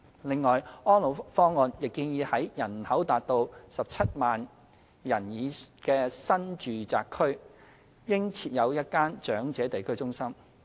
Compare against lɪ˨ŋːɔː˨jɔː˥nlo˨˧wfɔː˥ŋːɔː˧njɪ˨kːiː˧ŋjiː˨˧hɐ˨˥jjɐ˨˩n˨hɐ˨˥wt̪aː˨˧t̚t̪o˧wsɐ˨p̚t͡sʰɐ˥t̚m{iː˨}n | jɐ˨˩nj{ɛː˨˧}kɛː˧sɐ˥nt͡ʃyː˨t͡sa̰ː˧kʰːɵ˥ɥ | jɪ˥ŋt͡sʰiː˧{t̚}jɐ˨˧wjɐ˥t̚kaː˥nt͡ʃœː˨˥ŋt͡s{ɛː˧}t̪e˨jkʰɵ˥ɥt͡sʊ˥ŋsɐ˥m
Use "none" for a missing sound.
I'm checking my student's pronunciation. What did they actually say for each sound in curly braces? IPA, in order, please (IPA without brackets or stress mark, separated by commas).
aː˨, iː˨˧, t̚, ɛː˨˥